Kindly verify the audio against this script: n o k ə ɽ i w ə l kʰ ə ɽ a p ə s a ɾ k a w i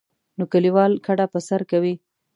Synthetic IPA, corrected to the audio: n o k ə l i w ɑ l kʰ a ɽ a p ə s a ɾ k a w i

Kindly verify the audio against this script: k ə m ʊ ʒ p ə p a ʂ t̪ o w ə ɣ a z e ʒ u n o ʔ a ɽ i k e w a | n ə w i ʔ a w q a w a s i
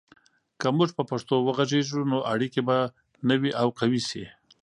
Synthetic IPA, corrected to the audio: k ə m ʊ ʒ p ə p a ʂ t̪ o w ə ɣ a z e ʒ u n o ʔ a ɽ i k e b a | n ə w i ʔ a w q a w i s i

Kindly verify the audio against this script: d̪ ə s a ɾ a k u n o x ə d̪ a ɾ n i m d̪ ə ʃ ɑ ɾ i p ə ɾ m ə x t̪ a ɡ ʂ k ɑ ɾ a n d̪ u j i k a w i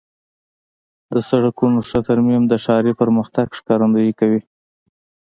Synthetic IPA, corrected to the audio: d̪ ə s a ɽ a k u n o ʂ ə t̪ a ɾ m i m d̪ ə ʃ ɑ ɾ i p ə ɾ m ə x t̪ a ɡ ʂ k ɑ ɾ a n d̪ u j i k a w i

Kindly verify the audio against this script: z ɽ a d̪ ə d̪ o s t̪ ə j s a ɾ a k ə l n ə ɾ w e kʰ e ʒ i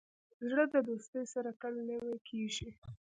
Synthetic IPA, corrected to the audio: z ɽ ə d̪ ə d̪ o s t̪ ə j s a ɾ a k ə l n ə w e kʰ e ʒ i

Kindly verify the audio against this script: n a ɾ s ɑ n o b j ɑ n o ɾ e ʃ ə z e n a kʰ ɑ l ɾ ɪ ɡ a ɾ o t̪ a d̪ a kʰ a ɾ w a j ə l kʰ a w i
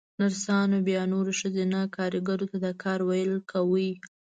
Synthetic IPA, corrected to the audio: n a ɾ s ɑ n o b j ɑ n o ɾ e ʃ ə z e n a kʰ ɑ ɾ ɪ ɡ a ɾ o t̪ a d̪ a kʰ ɑ ɾ w a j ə l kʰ a w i

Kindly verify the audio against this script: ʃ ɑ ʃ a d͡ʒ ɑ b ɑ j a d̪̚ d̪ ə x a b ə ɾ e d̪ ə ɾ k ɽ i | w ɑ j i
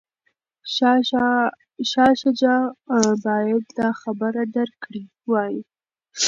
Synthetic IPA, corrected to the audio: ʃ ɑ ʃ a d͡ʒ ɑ b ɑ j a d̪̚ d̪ ɑ x a b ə ɾ a d̪ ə ɾ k ɽ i | w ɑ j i

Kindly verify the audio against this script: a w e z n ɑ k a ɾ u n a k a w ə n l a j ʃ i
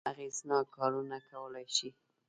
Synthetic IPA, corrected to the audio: a ɣ e z n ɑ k ɑ ɾ u n a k a w ə l a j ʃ i

